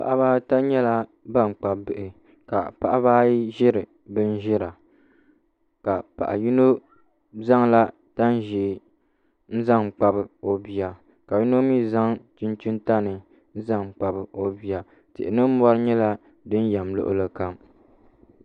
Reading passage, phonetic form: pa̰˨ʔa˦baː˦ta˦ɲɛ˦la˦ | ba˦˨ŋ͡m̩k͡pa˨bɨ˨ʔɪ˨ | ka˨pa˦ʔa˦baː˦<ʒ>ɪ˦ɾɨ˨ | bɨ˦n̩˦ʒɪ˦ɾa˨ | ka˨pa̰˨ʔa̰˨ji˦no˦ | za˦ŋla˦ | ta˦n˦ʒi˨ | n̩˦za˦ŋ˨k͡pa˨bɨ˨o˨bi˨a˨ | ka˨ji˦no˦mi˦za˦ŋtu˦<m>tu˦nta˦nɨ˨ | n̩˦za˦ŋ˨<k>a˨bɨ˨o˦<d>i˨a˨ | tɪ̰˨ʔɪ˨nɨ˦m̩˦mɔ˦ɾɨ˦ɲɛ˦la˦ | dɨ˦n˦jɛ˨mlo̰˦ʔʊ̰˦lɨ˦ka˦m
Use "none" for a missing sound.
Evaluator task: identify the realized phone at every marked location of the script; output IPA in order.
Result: ʒ, n, k͡p, b

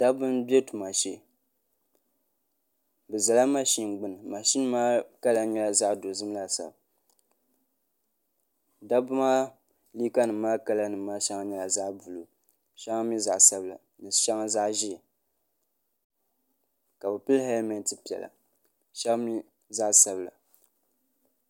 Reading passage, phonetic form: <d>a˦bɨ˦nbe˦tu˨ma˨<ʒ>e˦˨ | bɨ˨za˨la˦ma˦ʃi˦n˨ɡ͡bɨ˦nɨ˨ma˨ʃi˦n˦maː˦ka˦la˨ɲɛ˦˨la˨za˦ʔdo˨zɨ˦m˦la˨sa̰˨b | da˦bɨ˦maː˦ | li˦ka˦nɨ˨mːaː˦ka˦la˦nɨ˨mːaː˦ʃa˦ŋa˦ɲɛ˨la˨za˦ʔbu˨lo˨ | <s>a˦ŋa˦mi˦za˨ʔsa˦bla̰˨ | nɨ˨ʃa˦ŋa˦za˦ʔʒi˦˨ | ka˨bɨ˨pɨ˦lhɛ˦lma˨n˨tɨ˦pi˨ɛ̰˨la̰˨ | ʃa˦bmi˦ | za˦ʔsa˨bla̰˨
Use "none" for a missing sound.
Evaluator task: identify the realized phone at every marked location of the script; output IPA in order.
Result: d, ʃ, ʃ

